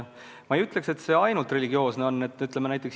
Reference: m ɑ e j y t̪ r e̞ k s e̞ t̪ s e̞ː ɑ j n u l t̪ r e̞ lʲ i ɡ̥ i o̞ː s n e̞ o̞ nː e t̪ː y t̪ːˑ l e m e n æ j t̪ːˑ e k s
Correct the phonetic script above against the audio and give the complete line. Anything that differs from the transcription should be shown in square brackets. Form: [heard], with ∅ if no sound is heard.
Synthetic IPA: m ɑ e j y t̪ [l] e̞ k s e̞ t̪ s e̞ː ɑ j n u l t̪ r e̞ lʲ i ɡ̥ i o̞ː s n e̞ o̞ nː e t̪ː y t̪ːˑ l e m e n æ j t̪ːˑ e k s